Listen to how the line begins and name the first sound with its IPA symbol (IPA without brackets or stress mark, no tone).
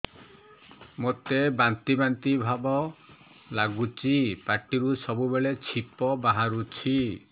m